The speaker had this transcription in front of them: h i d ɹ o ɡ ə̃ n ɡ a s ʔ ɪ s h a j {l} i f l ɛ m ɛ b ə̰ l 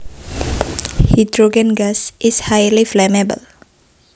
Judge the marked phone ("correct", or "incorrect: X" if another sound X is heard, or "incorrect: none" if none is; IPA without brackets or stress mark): correct